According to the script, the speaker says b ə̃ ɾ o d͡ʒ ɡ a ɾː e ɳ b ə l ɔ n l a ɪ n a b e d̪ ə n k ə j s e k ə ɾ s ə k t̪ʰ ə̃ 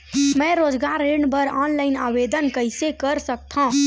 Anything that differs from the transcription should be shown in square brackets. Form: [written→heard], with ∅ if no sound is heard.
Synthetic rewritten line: [b→m] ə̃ ɾ o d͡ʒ ɡ a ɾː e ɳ b ə [l→ɾ] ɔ n l a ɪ n a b e d̪ ə n k ə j s e k ə ɾ s ə k t̪ʰ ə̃